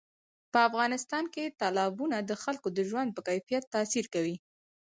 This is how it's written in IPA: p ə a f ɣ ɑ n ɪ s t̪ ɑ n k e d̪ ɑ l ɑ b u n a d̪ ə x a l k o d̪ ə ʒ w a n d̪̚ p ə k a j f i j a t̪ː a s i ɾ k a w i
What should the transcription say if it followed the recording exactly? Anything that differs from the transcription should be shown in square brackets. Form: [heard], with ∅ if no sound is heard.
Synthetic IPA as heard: p ə a f ɣ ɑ n ɪ s t̪ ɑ n k e [t̪] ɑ l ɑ b u n a d̪ ə x a l k o d̪ ə ʒ w a n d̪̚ p ə k a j f i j a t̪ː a s i ɾ k a w i

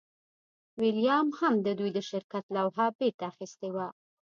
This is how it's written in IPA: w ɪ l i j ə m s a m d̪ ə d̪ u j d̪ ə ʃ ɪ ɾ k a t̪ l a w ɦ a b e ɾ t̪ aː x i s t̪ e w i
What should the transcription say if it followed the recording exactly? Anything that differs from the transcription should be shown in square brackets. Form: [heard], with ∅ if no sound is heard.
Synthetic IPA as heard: w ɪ l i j [ɑ] m [h] a m d̪ ə d̪ u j d̪ ə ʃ ɪ ɾ k a t̪ l a w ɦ a b e ɾ t̪ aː x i s t̪ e w [a]

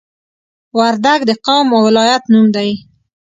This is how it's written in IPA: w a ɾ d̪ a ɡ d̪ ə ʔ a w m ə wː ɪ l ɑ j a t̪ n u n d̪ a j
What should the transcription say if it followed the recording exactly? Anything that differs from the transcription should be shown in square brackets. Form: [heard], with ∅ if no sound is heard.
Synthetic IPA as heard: w a ɾ d̪ a ɡ d̪ ə [q] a w m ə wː ɪ l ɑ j a t̪ n u [m] d̪ a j

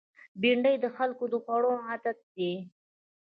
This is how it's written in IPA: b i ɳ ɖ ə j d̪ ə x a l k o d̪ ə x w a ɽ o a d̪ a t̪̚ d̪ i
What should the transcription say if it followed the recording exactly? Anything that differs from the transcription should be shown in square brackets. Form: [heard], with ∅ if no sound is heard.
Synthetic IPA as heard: b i ɳ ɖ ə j d̪ ə x a l k o d̪ ə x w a ɽ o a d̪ a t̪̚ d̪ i

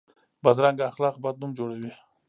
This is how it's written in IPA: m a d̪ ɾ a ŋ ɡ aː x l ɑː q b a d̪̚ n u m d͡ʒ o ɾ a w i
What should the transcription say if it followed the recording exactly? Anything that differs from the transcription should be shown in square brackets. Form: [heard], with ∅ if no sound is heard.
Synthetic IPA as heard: [b] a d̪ ɾ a ŋ ɡ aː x l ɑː q b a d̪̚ n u m d͡ʒ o [ɽ] a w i

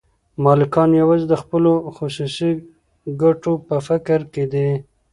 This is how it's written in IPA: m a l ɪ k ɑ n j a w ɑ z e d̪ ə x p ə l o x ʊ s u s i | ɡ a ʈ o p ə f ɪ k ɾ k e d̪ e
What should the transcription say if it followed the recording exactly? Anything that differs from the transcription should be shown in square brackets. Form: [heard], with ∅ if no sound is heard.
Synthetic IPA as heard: m [ɑ] l ɪ k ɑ n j a w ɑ z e d̪ ə x p ə l o x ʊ s u s i | ɡ a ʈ o p ə f ɪ k ɾ k e d̪ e

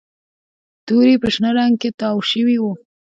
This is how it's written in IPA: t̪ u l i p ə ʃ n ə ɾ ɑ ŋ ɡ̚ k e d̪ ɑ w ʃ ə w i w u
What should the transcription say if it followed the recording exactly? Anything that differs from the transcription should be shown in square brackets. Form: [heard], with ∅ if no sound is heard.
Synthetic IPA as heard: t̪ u [ɾ] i p ə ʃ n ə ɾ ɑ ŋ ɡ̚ k e [t̪] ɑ w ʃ ə w i w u

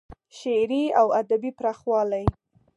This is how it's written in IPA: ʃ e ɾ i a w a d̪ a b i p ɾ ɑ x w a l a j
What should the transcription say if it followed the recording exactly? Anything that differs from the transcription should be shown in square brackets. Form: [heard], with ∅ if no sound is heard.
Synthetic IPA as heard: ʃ e ɾ i a w a d̪ a b i p ɾ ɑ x w [ɑ] l a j

